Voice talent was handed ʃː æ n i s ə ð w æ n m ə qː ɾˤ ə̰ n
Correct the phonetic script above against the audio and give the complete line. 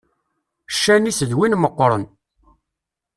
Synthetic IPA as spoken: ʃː æ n i s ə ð w i n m ə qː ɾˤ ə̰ n